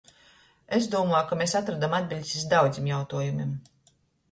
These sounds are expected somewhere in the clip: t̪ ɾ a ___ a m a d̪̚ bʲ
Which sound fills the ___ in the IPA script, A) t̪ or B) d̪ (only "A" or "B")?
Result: B